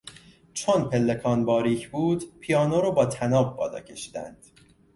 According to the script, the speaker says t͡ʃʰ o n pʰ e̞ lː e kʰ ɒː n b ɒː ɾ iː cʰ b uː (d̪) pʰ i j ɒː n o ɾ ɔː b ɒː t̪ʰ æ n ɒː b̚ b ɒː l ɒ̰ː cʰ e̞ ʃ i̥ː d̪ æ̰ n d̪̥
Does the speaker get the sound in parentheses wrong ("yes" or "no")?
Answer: no